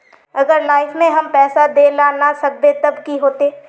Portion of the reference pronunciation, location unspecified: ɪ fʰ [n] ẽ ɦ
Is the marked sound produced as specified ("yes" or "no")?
no